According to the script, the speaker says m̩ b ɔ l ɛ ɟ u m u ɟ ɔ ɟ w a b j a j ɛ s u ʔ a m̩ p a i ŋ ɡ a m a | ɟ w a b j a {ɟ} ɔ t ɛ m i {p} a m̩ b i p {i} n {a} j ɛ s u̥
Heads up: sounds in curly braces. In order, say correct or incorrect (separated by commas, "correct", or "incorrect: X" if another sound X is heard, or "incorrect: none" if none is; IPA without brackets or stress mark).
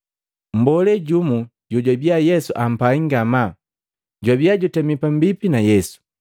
correct, correct, correct, correct